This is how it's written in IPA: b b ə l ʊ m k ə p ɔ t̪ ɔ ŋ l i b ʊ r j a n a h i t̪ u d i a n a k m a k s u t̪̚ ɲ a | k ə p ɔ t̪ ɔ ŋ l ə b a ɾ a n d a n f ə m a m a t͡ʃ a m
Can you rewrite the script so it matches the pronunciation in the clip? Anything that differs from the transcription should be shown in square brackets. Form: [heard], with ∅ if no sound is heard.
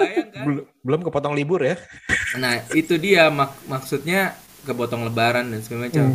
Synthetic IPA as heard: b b ə l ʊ m k ə p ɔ t̪ ɔ ŋ l i b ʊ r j a n a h i t̪ u d i a [m] a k m a k s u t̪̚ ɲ a | k ə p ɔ t̪ ɔ ŋ l ə b a ɾ a n d a n [s] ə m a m a t͡ʃ a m